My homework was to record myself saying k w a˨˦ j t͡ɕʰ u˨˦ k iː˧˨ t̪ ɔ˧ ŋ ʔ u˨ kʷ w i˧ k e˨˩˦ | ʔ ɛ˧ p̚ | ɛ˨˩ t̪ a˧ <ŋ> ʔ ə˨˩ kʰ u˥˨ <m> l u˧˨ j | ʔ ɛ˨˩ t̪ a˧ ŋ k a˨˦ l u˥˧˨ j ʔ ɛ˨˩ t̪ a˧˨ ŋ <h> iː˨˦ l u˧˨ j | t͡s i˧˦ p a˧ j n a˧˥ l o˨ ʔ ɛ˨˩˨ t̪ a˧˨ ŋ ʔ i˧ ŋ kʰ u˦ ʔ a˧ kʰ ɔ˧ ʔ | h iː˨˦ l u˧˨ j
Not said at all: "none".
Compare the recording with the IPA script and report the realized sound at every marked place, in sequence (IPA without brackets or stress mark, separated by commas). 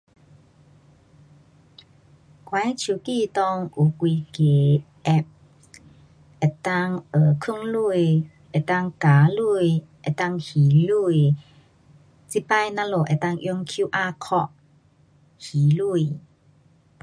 ŋ, ŋ, h